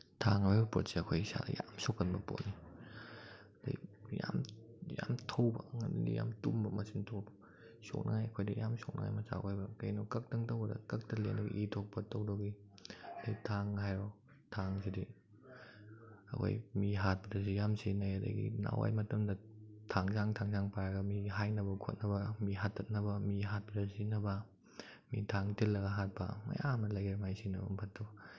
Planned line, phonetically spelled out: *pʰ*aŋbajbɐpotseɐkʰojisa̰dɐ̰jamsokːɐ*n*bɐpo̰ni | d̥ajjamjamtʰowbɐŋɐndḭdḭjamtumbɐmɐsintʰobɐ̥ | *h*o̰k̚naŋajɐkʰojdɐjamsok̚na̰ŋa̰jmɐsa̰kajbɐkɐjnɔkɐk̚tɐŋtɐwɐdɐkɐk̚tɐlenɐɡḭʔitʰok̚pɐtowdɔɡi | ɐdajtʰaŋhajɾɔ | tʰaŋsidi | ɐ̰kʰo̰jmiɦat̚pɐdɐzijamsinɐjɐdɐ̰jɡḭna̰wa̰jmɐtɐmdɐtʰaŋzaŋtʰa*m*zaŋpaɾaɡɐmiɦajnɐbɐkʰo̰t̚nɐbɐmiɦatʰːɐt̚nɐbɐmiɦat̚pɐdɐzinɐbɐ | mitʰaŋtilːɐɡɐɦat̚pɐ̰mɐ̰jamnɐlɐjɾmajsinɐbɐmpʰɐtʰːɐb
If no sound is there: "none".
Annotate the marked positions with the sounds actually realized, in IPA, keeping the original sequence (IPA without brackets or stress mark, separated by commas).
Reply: tʰ, n, s, ŋ